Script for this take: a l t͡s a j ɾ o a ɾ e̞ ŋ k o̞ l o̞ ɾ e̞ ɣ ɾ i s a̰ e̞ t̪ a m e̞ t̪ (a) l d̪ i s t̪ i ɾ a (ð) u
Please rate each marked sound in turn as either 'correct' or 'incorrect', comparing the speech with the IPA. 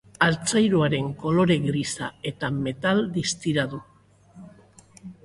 correct, correct

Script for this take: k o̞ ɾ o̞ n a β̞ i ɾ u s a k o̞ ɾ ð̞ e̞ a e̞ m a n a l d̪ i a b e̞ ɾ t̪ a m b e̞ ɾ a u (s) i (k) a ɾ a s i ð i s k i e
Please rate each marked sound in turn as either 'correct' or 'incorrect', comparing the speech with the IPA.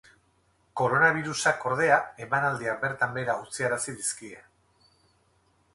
incorrect, incorrect

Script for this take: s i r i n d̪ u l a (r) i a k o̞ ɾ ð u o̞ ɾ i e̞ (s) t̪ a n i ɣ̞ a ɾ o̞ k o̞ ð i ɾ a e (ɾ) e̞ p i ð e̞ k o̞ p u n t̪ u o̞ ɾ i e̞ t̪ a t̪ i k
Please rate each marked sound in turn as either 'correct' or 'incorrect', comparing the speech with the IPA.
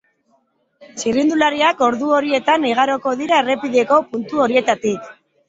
incorrect, incorrect, incorrect

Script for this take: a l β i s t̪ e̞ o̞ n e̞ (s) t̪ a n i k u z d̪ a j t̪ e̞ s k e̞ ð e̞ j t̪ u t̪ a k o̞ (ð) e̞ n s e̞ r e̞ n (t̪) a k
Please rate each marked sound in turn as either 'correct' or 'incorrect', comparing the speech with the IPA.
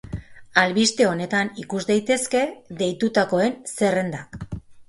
incorrect, incorrect, incorrect

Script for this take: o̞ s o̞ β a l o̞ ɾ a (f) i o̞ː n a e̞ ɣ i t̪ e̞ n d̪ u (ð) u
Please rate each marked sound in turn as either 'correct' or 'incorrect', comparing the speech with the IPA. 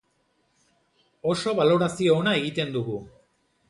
incorrect, incorrect

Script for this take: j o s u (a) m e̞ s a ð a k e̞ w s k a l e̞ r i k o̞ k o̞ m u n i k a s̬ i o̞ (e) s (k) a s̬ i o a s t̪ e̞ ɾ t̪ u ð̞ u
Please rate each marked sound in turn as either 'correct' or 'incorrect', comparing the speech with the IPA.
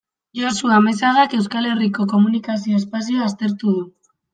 correct, correct, incorrect

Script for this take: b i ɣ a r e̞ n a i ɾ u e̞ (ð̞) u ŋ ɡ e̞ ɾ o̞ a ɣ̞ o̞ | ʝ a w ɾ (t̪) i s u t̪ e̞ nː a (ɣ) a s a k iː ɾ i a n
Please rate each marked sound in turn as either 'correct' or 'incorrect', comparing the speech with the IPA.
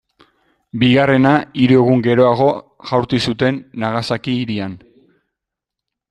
incorrect, correct, correct

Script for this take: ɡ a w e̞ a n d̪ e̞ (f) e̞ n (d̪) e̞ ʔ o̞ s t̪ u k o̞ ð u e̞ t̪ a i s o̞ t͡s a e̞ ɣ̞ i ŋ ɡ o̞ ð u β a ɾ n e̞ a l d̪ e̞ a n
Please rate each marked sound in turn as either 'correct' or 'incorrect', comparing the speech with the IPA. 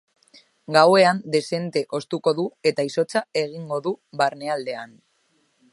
incorrect, incorrect

